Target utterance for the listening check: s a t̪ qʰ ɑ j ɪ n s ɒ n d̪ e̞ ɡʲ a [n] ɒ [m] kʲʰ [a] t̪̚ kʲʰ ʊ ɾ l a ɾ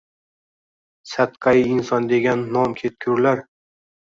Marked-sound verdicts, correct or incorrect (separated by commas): incorrect, correct, incorrect